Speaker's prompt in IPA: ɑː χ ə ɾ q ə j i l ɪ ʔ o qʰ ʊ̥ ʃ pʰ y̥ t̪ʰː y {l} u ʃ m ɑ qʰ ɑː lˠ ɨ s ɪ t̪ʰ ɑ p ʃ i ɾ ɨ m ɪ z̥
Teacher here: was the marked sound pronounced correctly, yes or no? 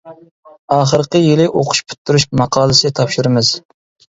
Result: no